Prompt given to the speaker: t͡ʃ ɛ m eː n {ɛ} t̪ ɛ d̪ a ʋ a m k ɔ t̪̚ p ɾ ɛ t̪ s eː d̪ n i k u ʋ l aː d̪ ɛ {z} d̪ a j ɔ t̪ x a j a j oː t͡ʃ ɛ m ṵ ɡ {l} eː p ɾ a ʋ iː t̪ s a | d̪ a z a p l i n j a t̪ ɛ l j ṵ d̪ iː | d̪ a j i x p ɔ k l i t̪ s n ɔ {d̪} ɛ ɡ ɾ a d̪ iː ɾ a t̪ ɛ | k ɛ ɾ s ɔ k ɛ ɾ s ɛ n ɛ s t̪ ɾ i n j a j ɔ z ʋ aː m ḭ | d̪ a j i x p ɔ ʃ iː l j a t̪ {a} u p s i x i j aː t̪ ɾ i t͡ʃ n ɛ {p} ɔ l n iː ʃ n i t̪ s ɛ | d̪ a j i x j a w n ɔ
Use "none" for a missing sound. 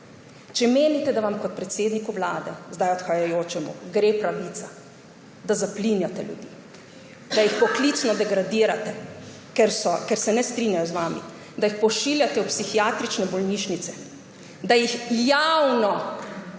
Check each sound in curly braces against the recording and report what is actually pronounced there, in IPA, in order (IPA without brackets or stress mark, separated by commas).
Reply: i, z, ɾ, d̪, ɛ, b